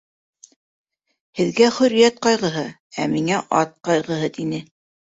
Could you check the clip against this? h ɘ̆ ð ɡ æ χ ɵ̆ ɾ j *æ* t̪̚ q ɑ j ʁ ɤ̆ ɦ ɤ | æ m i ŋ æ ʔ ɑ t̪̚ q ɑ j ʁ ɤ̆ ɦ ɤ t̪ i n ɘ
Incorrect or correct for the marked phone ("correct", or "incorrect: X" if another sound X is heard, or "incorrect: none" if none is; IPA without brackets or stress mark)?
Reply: correct